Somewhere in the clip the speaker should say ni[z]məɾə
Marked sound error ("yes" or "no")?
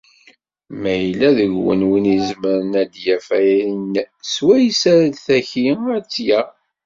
no